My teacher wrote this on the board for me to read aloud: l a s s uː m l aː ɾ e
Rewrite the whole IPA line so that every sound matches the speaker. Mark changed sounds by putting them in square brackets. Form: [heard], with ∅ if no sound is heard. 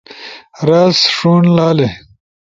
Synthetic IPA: [ɾ] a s [ʂ] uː [n] l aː [l] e